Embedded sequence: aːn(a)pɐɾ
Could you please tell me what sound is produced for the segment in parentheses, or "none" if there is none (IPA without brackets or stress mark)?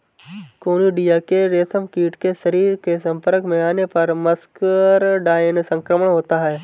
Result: e